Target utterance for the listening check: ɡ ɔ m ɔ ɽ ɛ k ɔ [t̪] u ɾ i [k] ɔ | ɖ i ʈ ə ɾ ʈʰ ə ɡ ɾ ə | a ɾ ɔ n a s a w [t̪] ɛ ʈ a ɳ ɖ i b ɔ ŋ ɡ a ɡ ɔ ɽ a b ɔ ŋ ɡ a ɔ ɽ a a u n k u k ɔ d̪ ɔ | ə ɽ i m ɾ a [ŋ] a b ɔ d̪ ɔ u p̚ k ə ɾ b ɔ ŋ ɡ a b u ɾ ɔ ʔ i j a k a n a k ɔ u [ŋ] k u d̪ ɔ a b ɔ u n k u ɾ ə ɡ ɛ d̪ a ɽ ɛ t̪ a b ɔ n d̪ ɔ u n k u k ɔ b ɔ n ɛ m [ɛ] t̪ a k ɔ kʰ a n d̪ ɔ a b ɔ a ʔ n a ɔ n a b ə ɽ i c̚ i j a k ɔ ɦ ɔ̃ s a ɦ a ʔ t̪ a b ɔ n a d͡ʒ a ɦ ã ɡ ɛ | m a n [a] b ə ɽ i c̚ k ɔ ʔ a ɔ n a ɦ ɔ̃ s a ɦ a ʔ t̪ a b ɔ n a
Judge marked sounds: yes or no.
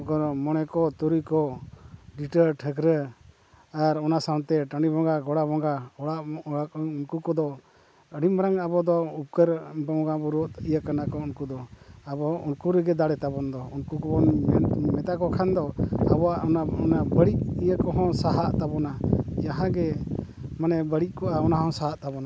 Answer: yes, yes, yes, yes, no, yes, no

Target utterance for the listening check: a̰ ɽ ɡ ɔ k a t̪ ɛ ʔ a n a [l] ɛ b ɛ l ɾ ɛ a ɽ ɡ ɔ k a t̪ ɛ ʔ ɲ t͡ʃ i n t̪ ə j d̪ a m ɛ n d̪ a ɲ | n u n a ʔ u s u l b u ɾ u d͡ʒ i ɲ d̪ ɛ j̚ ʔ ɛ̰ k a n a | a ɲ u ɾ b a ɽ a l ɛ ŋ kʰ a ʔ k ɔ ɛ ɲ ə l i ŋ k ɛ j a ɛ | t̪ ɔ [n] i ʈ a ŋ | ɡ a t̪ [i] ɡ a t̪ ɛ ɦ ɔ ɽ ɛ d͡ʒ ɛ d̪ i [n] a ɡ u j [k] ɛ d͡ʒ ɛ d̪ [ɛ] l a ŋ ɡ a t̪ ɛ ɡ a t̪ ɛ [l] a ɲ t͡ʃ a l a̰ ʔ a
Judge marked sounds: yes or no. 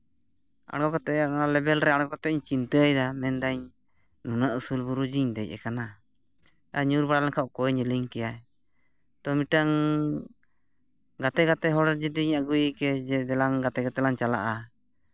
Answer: yes, no, no, no, yes, yes, yes

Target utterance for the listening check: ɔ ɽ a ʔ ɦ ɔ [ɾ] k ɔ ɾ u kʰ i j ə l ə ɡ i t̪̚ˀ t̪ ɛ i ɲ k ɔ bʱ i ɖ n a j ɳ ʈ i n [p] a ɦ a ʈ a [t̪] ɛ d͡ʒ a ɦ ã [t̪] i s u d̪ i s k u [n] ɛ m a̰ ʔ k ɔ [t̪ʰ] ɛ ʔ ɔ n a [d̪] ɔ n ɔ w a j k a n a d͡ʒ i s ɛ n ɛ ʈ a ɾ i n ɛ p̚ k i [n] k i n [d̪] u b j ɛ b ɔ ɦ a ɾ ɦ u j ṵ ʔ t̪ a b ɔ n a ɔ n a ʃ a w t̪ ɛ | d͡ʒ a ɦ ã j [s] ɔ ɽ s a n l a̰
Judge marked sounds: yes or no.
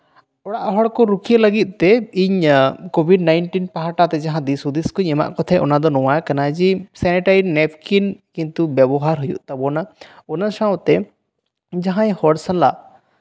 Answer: no, yes, yes, no, no, yes, yes, yes, no, no

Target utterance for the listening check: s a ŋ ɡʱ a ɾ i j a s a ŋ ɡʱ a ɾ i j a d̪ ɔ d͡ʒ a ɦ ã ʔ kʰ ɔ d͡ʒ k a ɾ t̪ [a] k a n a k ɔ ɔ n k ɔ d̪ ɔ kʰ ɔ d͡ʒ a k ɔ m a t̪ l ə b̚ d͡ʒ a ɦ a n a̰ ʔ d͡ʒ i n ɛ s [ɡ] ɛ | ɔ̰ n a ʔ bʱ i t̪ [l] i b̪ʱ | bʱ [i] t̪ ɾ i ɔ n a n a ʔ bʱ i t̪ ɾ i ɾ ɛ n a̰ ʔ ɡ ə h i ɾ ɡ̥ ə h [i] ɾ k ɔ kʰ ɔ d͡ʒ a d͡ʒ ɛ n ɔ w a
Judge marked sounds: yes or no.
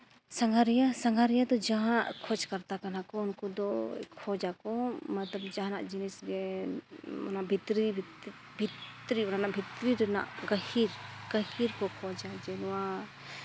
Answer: yes, yes, no, yes, yes

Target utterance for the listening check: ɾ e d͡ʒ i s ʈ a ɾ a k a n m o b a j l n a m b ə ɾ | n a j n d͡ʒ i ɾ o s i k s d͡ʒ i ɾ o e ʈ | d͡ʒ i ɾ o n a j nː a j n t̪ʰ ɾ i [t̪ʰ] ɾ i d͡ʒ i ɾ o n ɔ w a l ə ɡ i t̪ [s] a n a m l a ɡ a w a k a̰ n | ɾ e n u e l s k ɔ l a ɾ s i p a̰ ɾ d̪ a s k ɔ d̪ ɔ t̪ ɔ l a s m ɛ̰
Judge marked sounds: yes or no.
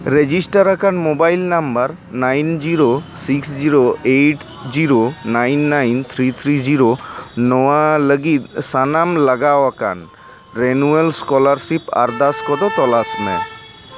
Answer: yes, yes

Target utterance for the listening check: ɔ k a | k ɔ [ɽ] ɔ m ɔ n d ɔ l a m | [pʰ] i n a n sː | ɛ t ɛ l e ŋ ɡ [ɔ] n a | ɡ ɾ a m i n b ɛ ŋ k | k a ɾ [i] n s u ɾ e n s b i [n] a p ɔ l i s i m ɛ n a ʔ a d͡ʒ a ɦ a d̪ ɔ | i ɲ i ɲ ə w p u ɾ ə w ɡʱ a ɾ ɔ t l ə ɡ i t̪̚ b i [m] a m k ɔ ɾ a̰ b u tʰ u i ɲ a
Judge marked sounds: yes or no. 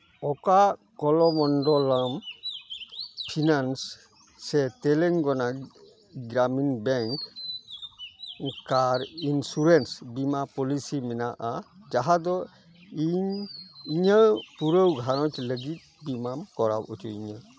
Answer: no, yes, yes, yes, no, yes

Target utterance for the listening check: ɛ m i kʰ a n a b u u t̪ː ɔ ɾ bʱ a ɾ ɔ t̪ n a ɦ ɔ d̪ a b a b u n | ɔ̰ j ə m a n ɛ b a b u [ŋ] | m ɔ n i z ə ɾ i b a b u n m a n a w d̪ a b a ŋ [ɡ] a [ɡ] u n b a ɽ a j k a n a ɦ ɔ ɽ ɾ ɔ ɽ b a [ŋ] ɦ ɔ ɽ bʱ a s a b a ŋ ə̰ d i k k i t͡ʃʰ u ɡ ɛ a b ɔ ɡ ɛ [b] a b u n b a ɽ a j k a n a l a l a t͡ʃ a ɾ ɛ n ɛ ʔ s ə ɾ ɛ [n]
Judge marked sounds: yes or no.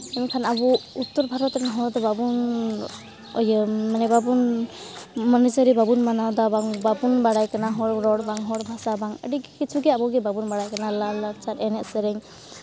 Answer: no, no, no, yes, yes, no

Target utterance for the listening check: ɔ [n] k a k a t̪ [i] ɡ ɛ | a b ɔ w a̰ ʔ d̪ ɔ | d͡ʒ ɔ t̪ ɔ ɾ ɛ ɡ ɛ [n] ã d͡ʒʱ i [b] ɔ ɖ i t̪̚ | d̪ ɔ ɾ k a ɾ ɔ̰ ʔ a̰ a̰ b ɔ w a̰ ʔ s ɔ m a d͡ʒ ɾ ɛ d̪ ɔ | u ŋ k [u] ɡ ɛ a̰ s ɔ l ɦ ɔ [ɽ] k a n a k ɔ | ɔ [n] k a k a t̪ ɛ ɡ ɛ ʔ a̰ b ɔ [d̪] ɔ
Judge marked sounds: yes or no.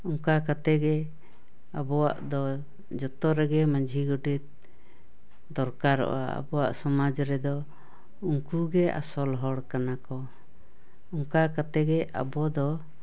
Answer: no, no, no, no, yes, yes, no, yes

